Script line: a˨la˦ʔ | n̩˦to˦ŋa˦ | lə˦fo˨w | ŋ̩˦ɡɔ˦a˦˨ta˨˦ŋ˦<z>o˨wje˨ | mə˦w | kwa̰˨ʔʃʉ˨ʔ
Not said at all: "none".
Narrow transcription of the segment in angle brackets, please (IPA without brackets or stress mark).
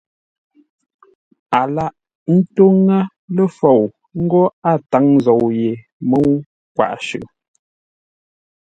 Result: z